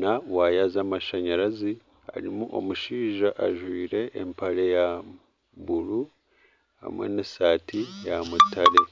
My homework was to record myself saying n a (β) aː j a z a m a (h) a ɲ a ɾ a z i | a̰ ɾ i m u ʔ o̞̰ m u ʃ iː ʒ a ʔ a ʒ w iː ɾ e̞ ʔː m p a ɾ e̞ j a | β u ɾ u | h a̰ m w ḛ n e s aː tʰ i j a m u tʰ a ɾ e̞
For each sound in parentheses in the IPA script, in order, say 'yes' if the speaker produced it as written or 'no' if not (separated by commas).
no, no